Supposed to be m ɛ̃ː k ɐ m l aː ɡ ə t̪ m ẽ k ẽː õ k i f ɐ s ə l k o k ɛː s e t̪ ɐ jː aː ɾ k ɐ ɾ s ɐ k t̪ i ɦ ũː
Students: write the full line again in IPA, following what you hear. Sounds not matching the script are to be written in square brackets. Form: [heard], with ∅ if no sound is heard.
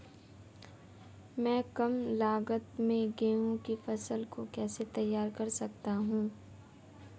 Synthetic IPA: m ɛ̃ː k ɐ m l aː ɡ ə t̪ m ẽ [ɡ] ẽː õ k i f ɐ s ə l k o k ɛː s e t̪ ɐ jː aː ɾ k ɐ ɾ s ɐ k t̪ [a] ɦ ũː